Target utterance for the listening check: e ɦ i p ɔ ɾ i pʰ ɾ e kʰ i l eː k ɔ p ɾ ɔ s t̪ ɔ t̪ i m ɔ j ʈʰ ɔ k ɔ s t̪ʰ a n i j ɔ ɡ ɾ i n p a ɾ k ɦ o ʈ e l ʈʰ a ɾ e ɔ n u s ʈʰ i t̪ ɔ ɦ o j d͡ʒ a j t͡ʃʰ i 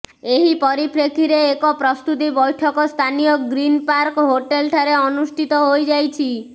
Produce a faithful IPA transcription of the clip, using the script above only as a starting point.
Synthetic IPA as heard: e ɦ i p ɔ ɾ i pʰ ɾ e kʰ i ɾ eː k ɔ p ɾ ɔ s t̪ u t̪ i b ɔ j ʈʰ ɔ k ɔ s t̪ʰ a n i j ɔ ɡ ɾ i n p a ɾ k ɦ o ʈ e l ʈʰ a ɾ e ɔ n u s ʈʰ i t̪ ɔ ɦ o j d͡ʒ a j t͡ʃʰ i